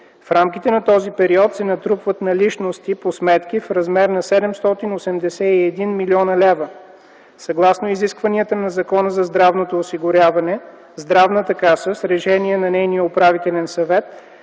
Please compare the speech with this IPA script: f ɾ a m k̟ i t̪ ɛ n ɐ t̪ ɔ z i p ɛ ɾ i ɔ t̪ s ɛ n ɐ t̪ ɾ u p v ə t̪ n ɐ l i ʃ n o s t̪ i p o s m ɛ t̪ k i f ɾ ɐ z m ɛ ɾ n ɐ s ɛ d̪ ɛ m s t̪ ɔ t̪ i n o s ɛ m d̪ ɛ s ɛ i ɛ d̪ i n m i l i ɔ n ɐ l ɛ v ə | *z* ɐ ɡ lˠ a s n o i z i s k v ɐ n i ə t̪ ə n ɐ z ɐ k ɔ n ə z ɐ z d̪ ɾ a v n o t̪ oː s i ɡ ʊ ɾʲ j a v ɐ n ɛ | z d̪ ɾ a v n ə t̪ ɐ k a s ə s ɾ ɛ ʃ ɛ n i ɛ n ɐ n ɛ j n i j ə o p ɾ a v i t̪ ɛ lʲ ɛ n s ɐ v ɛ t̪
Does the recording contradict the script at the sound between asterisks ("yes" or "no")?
yes